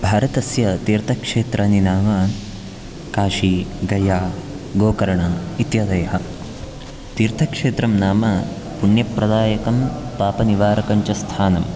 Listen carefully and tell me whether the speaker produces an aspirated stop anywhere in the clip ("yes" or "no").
yes